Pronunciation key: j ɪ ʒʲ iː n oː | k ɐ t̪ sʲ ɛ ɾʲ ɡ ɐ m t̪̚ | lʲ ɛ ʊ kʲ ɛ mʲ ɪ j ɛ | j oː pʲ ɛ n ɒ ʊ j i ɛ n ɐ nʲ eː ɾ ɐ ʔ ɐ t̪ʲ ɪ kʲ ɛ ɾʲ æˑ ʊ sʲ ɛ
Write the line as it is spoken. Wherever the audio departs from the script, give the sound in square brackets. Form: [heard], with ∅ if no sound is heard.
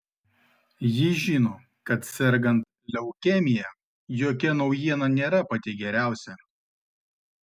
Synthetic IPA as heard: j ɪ ʒʲ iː n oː | k ɐ t̪ sʲ ɛ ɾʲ ɡ ɐ [n] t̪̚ | lʲ ɛ ʊ kʲ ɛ mʲ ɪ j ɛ | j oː [kʲ] ɛ n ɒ ʊ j i ɛ n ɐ nʲ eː ɾ ɐ [p] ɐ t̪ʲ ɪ [ɡʲ] ɛ ɾʲ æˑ ʊ sʲ ɛ